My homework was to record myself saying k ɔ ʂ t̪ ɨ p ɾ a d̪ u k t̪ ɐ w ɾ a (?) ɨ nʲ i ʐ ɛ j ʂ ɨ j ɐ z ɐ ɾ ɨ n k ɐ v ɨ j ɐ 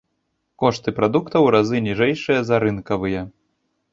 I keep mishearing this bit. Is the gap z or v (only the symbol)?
z